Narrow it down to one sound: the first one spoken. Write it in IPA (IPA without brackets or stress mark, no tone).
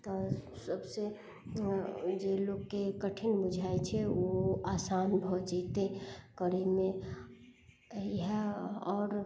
t̪